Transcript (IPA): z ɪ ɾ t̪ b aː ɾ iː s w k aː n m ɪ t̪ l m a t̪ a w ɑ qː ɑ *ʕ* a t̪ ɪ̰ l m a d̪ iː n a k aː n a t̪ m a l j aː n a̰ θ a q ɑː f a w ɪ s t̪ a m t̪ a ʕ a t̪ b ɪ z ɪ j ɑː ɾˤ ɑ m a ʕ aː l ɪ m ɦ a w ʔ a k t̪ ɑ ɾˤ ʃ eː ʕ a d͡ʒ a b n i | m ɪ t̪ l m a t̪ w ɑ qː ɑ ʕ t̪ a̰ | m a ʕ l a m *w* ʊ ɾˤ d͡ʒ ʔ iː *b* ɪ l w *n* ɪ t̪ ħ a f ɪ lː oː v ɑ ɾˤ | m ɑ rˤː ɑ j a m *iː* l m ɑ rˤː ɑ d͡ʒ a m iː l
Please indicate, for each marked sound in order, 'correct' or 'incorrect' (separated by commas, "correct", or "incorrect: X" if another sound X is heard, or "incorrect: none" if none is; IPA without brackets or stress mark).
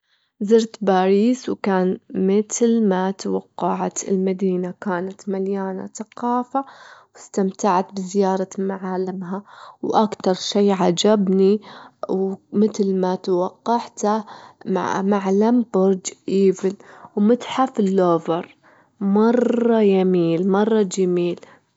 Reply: correct, incorrect: b, incorrect: v, incorrect: m, correct